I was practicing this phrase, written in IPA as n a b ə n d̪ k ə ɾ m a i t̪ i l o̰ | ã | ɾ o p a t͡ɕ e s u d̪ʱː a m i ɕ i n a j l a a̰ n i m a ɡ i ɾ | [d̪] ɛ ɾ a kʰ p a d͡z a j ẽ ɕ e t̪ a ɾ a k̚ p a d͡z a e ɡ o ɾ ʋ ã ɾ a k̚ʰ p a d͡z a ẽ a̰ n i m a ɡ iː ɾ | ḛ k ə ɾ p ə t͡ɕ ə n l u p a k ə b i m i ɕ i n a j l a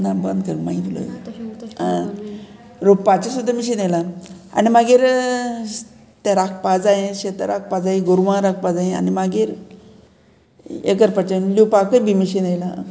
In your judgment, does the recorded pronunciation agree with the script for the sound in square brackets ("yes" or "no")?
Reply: no